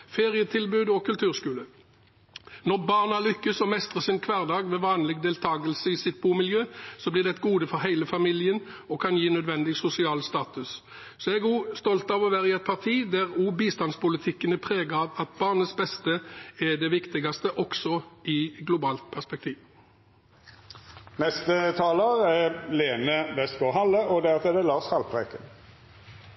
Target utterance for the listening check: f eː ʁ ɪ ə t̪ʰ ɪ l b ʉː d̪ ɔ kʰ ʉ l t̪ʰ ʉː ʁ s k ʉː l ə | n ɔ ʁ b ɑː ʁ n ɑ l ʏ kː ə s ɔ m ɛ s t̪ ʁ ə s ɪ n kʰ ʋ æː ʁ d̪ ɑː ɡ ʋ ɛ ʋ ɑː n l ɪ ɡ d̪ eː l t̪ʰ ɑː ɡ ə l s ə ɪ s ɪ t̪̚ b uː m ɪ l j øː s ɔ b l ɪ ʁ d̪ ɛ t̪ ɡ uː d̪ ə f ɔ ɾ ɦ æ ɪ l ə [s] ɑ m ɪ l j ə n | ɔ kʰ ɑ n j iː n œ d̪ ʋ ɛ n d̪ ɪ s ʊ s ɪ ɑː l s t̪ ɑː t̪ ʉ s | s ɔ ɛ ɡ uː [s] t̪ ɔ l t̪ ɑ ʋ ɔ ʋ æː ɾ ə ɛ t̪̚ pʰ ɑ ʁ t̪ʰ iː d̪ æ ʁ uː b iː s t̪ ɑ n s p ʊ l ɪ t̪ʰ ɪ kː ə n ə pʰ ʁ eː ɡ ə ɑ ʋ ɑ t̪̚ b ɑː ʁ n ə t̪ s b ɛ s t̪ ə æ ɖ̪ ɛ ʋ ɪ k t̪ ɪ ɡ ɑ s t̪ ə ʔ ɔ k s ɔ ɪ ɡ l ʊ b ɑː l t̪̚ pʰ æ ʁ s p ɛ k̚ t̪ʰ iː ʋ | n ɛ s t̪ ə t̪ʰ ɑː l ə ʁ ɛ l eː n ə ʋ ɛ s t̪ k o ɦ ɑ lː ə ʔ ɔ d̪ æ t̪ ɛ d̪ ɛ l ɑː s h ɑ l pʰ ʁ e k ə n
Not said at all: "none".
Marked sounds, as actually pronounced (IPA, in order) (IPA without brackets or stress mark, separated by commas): f, s